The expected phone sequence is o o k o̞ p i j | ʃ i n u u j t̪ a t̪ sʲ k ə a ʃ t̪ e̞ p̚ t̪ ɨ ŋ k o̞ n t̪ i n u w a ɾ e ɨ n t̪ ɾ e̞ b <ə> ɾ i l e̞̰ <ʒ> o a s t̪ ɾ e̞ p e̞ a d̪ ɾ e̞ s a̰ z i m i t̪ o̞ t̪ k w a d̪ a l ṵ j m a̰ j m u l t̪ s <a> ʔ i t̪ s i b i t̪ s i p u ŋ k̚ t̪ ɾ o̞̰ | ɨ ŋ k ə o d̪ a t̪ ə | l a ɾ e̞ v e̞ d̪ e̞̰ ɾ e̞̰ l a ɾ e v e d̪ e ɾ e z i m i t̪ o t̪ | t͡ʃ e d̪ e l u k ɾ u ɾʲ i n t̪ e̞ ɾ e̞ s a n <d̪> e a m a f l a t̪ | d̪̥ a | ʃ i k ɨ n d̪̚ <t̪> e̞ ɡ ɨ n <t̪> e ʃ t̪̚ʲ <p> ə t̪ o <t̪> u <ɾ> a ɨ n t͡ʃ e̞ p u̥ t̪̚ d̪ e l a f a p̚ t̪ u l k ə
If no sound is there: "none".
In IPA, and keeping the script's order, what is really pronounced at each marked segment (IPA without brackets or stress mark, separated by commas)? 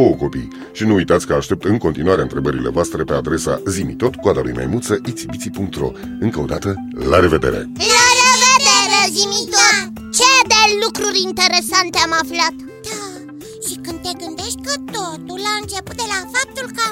ə, v, ə, t̪, t̪, d̪, k, t̪, l